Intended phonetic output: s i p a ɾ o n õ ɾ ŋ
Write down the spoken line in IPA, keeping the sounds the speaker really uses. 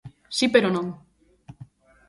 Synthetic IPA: s i p e ɾ o n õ ŋ